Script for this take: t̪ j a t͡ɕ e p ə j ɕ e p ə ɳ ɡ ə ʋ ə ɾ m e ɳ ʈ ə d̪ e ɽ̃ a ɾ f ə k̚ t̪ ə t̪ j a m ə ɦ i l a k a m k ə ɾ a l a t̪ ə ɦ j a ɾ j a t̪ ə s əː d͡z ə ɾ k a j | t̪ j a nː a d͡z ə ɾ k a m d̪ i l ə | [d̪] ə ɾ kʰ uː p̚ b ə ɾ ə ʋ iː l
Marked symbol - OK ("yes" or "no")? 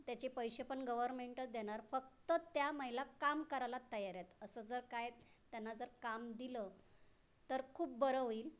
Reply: no